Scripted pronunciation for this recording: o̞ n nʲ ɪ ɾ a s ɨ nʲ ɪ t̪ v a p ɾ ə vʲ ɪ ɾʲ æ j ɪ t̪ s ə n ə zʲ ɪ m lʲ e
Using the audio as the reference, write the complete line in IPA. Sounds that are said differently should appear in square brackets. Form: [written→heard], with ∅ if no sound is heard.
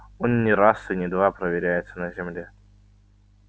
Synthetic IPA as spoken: o̞ n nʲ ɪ ɾ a s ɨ nʲ ɪ [t̪→d̪] v a p ɾ ə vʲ ɪ ɾʲ æ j ɪ t̪ s ə n ə zʲ ɪ m lʲ e